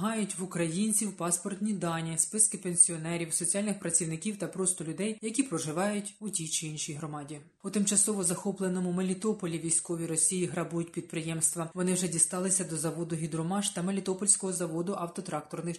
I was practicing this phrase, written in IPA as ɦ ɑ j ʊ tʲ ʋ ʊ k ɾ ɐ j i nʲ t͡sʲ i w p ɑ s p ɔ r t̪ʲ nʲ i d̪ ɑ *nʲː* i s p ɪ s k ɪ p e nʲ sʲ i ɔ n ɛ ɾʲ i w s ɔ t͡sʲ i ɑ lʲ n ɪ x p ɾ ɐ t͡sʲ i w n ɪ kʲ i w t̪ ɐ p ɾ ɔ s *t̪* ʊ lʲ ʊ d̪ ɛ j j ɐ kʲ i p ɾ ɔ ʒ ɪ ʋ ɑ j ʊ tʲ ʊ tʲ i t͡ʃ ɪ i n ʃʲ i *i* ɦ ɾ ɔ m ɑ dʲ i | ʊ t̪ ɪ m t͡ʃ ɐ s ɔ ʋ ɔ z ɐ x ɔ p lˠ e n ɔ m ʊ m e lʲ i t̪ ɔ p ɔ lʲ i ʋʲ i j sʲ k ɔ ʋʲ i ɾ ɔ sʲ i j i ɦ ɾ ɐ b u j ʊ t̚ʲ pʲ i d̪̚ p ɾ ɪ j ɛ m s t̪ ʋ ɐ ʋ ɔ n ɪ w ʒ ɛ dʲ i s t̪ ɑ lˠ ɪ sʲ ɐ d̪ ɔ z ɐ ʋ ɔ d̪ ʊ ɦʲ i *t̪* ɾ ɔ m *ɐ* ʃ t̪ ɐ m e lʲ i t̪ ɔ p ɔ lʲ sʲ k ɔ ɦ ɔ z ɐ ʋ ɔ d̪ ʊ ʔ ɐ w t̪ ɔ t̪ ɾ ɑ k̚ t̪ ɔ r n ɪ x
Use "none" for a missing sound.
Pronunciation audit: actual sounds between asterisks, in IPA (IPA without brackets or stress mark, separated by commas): nʲ, t̪, j, d̪, ɑ